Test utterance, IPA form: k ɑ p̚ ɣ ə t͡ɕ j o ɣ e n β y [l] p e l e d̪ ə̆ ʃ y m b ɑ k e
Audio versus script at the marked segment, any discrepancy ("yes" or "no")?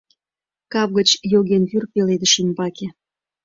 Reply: yes